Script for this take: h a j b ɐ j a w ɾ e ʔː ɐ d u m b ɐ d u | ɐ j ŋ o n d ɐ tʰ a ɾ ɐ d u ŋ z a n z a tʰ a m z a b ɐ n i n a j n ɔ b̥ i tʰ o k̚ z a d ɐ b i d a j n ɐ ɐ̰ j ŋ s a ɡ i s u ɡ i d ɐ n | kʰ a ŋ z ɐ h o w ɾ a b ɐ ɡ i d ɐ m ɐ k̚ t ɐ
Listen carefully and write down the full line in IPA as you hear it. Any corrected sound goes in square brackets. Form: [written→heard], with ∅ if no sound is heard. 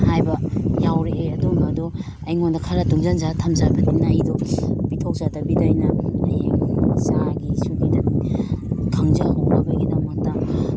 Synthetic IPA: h a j b ɐ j a w ɾ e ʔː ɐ d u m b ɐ d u | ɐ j ŋ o n d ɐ [tʰ→kʰ] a ɾ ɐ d u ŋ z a n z a tʰ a m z a b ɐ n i n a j [n→d] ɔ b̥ i tʰ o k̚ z a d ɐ b i d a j n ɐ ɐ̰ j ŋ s a ɡ i s u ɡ i d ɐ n | kʰ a ŋ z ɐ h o w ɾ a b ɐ ɡ i d ɐ m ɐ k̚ t ɐ